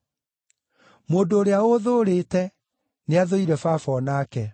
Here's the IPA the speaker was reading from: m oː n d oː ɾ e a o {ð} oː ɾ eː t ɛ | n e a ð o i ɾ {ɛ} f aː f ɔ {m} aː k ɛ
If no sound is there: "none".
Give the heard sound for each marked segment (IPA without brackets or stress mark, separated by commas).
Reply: ð, ɛ, n